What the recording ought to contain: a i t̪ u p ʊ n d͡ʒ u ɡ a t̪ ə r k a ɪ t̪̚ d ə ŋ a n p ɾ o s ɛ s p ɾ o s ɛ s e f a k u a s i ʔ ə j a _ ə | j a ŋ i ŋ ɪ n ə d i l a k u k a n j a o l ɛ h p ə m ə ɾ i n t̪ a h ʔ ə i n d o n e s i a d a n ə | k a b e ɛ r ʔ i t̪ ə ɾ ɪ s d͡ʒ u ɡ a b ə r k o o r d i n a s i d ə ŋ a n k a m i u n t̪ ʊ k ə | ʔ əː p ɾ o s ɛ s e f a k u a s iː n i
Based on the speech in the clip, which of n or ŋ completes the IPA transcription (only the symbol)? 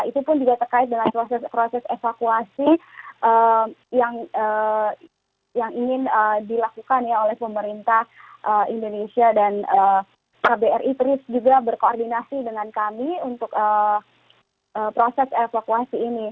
ŋ